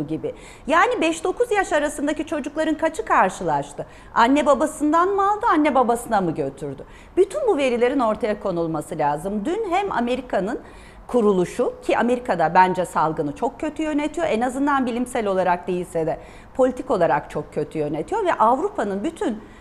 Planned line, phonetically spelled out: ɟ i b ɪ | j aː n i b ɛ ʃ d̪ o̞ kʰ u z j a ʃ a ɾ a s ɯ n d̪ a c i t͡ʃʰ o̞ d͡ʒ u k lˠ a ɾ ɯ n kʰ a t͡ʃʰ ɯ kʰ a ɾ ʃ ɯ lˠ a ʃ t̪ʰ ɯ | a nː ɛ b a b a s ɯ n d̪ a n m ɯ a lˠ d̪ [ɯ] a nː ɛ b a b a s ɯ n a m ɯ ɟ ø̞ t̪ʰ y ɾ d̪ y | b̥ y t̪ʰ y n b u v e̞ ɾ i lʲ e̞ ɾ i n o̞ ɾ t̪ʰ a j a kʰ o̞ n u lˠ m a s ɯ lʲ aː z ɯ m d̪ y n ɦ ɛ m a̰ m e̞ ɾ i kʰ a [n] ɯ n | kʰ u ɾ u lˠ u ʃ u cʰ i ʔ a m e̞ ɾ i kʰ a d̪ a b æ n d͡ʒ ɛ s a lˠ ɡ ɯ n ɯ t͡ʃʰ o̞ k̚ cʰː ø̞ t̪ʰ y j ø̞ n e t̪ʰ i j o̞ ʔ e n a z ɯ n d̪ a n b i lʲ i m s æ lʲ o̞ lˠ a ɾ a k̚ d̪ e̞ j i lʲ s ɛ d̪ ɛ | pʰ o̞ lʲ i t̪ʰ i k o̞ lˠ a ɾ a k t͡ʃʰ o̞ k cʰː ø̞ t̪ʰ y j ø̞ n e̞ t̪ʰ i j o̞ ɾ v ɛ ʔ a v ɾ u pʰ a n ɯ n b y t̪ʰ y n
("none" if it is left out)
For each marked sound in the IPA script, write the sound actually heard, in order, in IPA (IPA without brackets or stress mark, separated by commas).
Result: ɯ, n